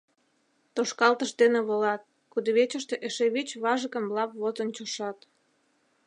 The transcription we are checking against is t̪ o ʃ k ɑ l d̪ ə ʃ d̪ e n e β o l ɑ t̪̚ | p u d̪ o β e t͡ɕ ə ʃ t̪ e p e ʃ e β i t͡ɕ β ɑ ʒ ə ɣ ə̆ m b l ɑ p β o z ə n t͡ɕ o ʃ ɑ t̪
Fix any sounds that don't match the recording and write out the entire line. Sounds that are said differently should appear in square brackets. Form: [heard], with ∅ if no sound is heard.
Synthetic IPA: t̪ o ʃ k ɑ l [t̪] ə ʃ d̪ e n e β o l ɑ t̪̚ | [k] u d̪ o β e t͡ɕ ə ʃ t̪ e [ʔ] e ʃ e β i t͡ɕ β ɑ ʒ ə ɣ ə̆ m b l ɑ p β o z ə n t͡ɕ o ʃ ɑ t̪